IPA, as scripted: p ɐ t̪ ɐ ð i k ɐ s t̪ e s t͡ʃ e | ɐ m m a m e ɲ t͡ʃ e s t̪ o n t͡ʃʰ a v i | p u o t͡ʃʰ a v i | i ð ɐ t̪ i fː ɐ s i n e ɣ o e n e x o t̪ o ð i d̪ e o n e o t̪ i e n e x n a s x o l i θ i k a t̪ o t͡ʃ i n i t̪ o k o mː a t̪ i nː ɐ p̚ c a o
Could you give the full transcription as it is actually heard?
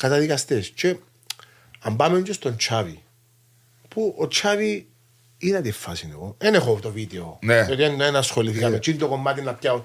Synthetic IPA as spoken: k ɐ t̪ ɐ ð i k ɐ s t̪ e s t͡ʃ e | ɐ m b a m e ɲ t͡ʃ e s t̪ o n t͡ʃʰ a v i | p u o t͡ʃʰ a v i | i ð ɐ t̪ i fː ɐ s i n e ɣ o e n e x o t̪ o v i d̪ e o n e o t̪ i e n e n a s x o l i θ i k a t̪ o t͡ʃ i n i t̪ o k o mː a t̪ i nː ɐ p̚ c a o